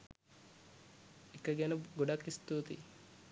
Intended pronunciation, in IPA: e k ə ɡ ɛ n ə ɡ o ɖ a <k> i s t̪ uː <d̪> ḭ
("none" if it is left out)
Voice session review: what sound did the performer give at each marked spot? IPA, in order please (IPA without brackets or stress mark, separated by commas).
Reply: k, t̪